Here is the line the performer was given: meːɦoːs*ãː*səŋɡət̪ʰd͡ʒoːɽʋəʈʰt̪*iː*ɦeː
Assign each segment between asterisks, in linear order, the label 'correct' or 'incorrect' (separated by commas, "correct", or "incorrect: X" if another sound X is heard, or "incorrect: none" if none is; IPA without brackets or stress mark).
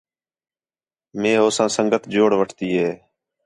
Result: correct, correct